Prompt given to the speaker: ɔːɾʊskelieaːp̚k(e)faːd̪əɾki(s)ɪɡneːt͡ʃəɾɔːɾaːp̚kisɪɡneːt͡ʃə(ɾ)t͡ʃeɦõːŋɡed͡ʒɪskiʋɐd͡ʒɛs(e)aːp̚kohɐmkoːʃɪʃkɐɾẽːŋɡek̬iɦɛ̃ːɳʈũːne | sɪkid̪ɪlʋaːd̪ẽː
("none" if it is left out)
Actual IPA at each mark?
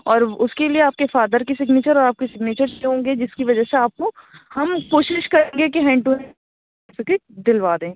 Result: e, s, ɾ, e

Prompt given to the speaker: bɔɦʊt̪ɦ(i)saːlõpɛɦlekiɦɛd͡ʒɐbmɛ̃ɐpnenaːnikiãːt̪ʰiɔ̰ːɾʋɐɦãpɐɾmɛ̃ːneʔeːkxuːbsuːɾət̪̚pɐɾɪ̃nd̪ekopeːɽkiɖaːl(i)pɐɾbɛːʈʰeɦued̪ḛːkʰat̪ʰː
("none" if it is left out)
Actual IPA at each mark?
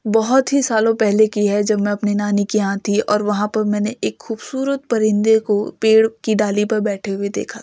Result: i, i

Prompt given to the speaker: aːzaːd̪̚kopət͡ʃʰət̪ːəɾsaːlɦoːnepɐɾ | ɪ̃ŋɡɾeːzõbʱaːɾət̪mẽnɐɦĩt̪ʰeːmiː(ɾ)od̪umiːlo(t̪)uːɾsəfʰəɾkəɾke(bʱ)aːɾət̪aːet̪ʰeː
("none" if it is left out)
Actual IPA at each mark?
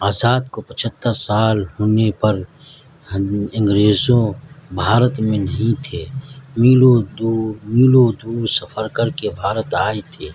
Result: l, d̪, bʱ

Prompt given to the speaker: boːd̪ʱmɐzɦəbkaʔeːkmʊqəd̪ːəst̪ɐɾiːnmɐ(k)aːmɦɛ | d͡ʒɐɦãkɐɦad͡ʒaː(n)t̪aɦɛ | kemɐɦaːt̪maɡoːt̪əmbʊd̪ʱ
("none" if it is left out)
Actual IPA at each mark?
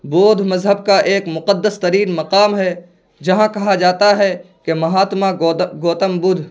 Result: q, none

